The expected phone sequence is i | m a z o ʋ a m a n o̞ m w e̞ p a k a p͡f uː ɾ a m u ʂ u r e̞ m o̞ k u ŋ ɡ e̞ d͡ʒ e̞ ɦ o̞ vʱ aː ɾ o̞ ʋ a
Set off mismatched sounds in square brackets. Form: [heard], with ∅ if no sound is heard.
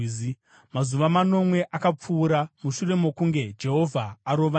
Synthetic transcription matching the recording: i | m a z [u] ʋ a m a n o̞ m w e̞ [ʔ] a k a p͡f uː ɾ a m u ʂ u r e̞ m o̞ k u ŋ ɡ e̞ d͡ʒ e̞ ɦ o̞ vʱ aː ɾ o̞ ʋ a